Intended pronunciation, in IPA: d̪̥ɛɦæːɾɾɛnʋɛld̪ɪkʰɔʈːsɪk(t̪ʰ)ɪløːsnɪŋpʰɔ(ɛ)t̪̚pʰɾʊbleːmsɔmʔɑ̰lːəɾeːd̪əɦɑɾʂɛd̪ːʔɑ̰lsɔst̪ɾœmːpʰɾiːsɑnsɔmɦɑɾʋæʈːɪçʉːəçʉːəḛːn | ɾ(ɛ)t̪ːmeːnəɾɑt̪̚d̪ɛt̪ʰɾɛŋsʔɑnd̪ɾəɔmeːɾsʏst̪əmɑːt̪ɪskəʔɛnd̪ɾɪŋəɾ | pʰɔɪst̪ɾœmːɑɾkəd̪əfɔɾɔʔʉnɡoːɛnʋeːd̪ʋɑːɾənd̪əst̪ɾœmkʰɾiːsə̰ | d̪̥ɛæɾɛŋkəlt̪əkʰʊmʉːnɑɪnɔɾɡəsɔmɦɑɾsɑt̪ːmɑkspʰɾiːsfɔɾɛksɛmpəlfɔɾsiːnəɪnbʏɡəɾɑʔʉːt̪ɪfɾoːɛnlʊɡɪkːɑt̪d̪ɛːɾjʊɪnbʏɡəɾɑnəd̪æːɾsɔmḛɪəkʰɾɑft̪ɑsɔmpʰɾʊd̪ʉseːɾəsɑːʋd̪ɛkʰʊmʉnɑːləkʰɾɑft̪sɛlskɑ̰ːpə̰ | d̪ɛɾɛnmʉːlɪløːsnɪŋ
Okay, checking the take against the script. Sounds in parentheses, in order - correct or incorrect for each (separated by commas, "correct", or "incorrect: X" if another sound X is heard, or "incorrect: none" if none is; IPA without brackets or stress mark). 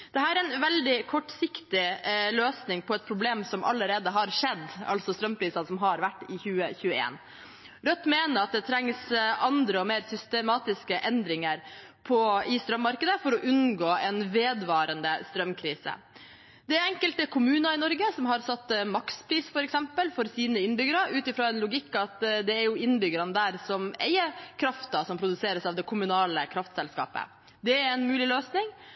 incorrect: t̪, correct, incorrect: œ